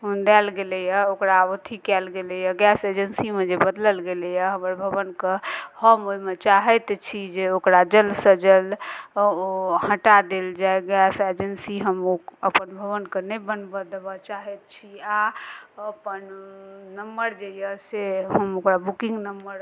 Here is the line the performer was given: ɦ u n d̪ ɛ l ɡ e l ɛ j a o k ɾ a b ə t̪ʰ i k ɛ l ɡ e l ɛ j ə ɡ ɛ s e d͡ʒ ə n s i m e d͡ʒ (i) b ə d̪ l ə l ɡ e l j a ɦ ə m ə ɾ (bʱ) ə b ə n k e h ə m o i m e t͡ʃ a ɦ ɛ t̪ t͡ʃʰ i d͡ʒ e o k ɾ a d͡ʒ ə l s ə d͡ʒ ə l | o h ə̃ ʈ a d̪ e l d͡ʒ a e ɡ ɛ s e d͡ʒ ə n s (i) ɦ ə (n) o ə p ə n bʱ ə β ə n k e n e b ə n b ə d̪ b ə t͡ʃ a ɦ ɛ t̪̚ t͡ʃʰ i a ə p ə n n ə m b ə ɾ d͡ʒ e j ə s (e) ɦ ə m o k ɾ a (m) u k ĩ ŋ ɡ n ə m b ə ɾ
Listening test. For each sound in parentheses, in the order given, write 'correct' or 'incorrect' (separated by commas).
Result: incorrect, correct, correct, incorrect, correct, incorrect